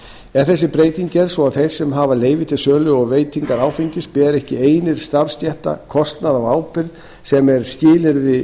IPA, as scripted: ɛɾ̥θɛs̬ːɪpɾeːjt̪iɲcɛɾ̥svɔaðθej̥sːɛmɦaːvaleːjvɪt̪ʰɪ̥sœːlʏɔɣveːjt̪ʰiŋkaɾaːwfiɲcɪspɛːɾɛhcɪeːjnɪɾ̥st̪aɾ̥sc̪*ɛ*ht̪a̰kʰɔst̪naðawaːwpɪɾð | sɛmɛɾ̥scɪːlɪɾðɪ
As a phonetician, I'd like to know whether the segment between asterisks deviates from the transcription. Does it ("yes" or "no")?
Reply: no